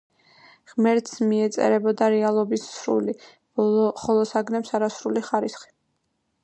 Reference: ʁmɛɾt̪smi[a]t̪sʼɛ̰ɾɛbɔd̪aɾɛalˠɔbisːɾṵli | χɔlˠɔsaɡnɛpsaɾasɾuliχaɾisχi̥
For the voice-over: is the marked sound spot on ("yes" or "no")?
no